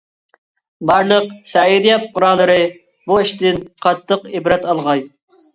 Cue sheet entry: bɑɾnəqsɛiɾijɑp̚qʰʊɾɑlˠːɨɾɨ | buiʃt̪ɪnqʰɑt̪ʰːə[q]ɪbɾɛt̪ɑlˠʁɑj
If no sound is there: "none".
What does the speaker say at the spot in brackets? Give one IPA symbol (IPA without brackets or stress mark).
q